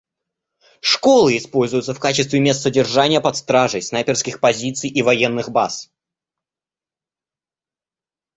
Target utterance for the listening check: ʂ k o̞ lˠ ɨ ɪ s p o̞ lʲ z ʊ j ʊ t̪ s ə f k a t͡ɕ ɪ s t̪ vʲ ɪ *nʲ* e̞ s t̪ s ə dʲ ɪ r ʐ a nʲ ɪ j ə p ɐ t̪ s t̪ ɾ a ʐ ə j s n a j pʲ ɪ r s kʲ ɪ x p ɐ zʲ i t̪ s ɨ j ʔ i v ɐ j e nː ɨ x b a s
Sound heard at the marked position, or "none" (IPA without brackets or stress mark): mʲ